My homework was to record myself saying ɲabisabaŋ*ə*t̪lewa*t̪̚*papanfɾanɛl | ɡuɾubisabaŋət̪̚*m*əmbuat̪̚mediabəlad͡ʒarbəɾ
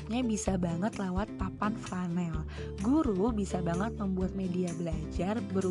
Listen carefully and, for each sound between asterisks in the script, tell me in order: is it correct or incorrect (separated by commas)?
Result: correct, correct, correct